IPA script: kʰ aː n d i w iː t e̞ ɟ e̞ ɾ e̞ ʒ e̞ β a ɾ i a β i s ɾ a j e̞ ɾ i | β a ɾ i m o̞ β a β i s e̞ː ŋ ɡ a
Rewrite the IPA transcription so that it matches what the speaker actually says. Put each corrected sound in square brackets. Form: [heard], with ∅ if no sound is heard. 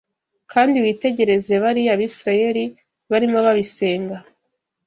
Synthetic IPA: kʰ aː n d i w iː t e̞ ɟ e̞ ɾ e̞ [z] e̞ β a ɾ i a β i s ɾ a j e̞ ɾ i | β a ɾ i m o̞ β a β i s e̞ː ŋ ɡ a